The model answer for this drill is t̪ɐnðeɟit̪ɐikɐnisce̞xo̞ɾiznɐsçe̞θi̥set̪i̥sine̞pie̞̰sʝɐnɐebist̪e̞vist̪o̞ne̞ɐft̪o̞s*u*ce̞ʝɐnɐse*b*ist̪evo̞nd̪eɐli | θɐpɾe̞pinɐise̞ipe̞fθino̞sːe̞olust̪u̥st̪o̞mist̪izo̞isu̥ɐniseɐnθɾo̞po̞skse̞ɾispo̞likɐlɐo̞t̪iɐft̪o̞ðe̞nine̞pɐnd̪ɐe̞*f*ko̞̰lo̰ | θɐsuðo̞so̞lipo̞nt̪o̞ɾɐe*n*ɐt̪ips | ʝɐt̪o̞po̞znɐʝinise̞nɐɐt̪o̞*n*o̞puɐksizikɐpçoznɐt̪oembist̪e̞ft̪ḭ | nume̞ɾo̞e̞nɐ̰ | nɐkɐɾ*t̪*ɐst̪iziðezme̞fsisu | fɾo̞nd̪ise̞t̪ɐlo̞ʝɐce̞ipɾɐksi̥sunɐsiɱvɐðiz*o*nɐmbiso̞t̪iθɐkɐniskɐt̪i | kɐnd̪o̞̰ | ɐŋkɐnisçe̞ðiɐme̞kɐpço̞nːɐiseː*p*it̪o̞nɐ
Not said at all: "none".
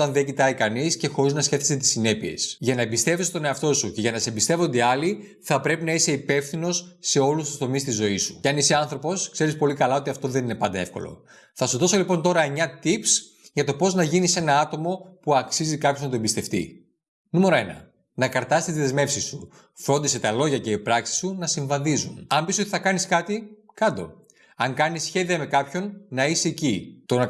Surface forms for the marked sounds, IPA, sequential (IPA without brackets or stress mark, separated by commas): u, b, f, ɲ, m, t̪, u, c